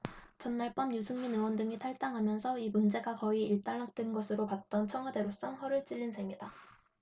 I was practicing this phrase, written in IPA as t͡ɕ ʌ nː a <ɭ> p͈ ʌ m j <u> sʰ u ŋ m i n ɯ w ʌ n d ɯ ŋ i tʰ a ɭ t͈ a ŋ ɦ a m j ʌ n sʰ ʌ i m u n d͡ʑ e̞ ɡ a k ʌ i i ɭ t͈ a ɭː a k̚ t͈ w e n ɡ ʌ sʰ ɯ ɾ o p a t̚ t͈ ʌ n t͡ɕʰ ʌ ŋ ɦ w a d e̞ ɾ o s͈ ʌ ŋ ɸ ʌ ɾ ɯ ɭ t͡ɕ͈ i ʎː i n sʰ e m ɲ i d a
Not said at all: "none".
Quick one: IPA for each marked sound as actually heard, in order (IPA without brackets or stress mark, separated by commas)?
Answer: ɭ, u